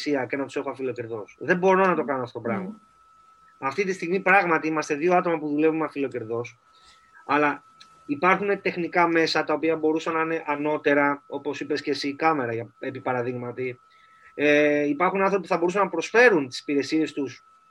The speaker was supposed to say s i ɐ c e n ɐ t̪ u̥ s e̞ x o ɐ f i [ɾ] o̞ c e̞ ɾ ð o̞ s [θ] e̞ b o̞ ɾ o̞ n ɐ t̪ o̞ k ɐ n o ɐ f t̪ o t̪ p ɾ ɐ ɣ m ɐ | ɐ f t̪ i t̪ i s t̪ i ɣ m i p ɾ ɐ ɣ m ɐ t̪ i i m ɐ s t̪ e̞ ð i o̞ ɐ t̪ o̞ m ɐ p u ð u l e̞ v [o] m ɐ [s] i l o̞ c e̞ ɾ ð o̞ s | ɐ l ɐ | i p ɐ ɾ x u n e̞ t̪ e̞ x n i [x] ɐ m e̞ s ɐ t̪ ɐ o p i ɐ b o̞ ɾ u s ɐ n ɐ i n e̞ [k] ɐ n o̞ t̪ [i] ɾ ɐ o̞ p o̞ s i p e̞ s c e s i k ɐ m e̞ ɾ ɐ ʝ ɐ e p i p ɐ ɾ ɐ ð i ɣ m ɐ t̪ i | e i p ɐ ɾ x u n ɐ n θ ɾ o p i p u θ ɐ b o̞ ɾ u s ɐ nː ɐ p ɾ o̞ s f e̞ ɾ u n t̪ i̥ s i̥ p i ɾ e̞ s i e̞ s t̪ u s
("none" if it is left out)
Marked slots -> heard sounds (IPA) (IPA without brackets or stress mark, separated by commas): l, ð, u, f, k, ʔ, e